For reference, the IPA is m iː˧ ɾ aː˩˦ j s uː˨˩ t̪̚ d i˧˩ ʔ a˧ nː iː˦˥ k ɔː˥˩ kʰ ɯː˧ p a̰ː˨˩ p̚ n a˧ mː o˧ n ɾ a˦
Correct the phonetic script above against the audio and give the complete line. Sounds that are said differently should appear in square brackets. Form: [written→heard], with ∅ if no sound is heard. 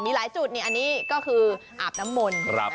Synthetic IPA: m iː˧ [ɾ→l] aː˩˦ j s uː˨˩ t̪̚ [d→n] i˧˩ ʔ a˧ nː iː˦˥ k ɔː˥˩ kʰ ɯː˧ [p→ʔ] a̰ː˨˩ p̚ n [a˧→a˦˥] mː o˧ n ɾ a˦